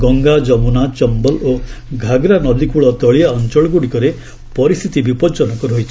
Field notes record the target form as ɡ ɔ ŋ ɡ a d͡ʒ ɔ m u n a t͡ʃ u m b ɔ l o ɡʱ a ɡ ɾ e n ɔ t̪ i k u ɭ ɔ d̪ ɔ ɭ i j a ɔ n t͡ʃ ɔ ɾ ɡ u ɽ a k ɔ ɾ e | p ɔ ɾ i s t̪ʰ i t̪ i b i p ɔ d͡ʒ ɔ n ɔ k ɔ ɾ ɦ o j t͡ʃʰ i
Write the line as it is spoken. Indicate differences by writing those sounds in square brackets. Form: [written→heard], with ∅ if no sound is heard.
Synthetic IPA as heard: ɡ ɔ ŋ ɡ a d͡ʒ ɔ m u n a t͡ʃ [u→ɔ] m b ɔ l o ɡʱ a ɡ ɾ [e→a] n ɔ [t̪→d̪] i k u ɭ ɔ [d̪→t̪] ɔ ɭ i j a ɔ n t͡ʃ ɔ [ɾ→ɭ] ɡ u ɽ [a→i] k ɔ ɾ e | p ɔ ɾ i s t̪ʰ i t̪ i b i p ɔ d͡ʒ ɔ n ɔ k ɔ ɾ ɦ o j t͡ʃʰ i